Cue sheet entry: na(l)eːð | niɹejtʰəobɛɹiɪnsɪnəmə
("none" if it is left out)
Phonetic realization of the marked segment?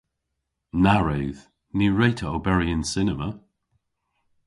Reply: ɹ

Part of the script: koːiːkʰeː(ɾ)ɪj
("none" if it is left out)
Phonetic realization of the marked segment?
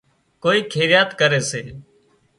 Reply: ɾ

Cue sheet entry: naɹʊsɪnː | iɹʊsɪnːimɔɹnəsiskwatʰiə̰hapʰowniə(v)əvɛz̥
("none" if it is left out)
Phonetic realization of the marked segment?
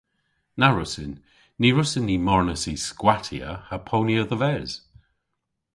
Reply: ð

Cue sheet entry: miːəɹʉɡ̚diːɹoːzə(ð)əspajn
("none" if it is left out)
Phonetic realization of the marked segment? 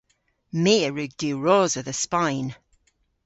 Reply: ð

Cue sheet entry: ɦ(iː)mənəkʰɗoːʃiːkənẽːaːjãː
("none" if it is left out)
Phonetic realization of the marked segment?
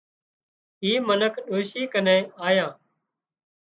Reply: iː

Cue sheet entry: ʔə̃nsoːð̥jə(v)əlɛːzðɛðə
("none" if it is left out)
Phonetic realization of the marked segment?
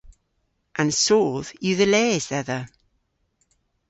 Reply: ð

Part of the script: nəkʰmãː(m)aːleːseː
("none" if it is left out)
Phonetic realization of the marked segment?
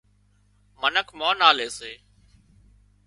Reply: n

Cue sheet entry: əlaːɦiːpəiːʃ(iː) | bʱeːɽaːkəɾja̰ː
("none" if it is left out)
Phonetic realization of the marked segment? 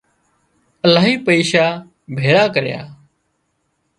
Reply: aː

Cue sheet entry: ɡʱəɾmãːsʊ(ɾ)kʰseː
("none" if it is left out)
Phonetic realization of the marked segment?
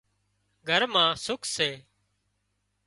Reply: none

